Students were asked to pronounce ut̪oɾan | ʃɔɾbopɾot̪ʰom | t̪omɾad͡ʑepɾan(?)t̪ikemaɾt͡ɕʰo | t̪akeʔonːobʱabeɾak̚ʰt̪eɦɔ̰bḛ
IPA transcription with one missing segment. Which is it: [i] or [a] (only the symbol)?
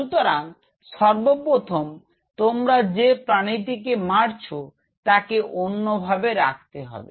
i